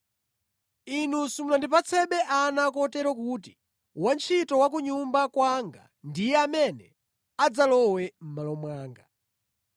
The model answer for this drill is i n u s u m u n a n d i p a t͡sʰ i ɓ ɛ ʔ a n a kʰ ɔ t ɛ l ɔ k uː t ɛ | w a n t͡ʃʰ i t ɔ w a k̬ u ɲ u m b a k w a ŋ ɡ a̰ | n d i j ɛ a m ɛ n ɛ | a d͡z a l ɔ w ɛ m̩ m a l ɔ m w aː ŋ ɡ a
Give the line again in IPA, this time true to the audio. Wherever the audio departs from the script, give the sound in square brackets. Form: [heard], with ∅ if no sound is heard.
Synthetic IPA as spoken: i n u s u m u n a n d i p a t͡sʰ [ɛ] ɓ ɛ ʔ a n a [k] ɔ t ɛ [ɾ] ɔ k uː t [i] | w a n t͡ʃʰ i t ɔ w a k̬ u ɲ u m b a k w a ŋ ɡ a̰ | n d i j ɛ a m ɛ n ɛ | a d͡z a l ɔ w ɛ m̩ m a l ɔ m w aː ŋ ɡ a

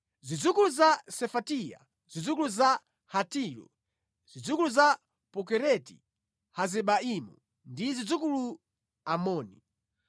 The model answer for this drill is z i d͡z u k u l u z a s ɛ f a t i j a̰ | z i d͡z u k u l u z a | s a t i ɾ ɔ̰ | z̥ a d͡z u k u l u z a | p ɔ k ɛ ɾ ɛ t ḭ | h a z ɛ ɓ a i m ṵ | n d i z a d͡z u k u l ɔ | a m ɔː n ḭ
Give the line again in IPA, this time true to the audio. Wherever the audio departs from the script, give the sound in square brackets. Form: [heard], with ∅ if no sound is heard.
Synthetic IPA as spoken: z i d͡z u k u l u z a s ɛ f a t i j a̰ | z i d͡z u k u l u z a | [h] a t i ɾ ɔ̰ | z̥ [i] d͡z u k u l u z a | p ɔ k ɛ ɾ ɛ t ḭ | h a z ɛ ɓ a i m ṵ | n d i z [i] d͡z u k u l [u] | a m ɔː n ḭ

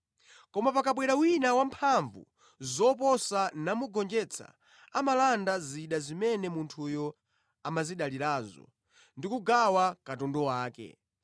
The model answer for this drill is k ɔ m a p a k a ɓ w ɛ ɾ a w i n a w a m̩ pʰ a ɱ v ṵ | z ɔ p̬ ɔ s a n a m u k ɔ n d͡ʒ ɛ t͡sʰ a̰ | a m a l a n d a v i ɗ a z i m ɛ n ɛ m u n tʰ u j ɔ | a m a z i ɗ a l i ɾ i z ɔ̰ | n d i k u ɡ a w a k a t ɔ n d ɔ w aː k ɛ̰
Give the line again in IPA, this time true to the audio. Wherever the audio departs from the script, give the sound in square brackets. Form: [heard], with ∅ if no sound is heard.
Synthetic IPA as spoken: k ɔ m a p a k a ɓ w ɛ ɾ a w i n a w a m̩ pʰ a ɱ v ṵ | z ɔ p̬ ɔ s a n a m u [ɡ] ɔ n d͡ʒ ɛ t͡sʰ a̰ | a m a l a n d a [z] i ɗ a z i m ɛ n ɛ m u n tʰ u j ɔ | a m a z i ɗ a l i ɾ [a] z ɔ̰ | n d i k u ɡ a w a k a t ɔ n d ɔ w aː k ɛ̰

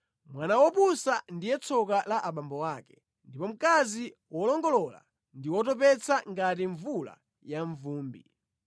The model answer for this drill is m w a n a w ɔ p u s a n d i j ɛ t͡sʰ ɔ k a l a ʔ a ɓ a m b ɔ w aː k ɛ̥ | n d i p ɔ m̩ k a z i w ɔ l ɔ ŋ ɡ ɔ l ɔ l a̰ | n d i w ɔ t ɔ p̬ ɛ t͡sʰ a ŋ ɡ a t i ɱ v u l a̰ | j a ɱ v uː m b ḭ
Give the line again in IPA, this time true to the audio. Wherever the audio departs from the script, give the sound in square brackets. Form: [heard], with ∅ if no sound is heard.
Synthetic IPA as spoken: m w a n a w ɔ p u s a n d i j ɛ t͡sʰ ɔ k a l a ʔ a ɓ a m b ɔ w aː k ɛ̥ | n d i p ɔ m̩ k a z i w ɔ l ɔ ŋ ɡ ɔ l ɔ l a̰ | n d i w ɔ t ɔ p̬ ɛ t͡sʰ a ŋ ɡ a t i ɱ v u l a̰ | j a ɱ v uː m b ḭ

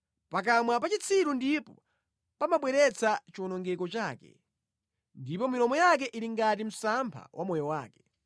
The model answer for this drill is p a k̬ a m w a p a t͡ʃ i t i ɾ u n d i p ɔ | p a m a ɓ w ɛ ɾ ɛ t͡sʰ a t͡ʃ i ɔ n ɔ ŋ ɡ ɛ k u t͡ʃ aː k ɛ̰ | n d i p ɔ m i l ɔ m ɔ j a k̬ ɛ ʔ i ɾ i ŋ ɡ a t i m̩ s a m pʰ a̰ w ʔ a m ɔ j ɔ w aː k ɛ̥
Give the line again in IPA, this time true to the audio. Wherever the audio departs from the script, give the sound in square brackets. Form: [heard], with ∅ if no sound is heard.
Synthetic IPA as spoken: p a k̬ a m w a p a t͡ʃ i [t͡sʰ] i ɾ u n d i p ɔ | p a m a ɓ w ɛ ɾ ɛ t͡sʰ a t͡ʃ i ɔ n ɔ ŋ ɡ ɛ k [ɔ] t͡ʃ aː k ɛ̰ | n d i p ɔ m i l ɔ m ɔ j a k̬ ɛ ʔ i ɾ i ŋ ɡ a t i m̩ s a m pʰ a̰ w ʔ a m ɔ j ɔ w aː k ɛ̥

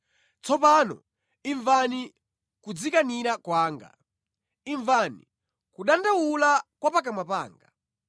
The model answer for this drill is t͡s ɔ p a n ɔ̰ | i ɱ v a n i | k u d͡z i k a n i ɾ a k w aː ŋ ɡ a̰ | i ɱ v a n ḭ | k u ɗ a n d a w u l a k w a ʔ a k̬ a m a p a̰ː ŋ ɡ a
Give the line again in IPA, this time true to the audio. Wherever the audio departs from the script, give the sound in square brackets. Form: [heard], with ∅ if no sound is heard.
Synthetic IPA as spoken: t͡s ɔ p a n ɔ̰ | i ɱ v a n i | k u d͡z i k a n i ɾ a k w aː ŋ ɡ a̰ | i ɱ v a n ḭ | k u ɗ a n d a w u l a k w a [p] a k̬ a m a p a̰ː ŋ ɡ a

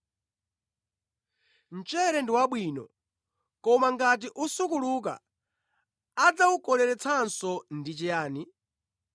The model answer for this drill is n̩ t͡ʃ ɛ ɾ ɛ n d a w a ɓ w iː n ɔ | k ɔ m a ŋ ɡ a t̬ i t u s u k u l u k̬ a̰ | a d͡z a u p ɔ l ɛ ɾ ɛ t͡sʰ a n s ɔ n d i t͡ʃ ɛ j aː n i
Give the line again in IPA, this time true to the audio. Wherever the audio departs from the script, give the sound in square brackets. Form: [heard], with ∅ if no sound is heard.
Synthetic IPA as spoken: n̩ t͡ʃ ɛ ɾ ɛ n d [i] w a ɓ w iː n ɔ | k ɔ m a ŋ ɡ a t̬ i [ʔ] u s u k u l u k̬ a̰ | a d͡z a u [k] ɔ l ɛ ɾ ɛ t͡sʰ a n s ɔ n d i t͡ʃ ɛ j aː n i

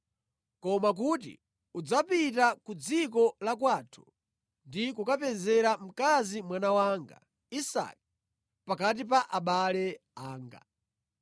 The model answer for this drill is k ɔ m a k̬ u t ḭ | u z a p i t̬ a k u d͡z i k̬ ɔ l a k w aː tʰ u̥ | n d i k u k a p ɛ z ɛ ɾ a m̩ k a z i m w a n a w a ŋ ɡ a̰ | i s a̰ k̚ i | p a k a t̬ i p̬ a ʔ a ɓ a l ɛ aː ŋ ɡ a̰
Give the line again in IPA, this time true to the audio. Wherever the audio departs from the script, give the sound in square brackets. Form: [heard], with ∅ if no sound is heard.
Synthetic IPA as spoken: k ɔ m a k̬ u t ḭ | u [d͡z] a p i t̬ a k u d͡z i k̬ ɔ l a k w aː tʰ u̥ | n d i k u k a p ɛ z ɛ ɾ a m̩ k a z i m w a n a w a ŋ ɡ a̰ | i s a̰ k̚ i | p a k a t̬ i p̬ a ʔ a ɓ a l ɛ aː ŋ ɡ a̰

